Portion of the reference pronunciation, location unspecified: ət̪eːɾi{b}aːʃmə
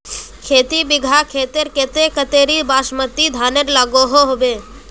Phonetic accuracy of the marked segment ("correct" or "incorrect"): correct